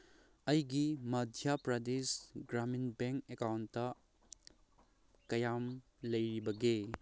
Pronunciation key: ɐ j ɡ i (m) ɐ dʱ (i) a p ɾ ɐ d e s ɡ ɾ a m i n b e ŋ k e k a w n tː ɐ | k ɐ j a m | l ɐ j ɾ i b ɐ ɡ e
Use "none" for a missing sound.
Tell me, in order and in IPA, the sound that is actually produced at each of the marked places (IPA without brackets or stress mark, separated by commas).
m, j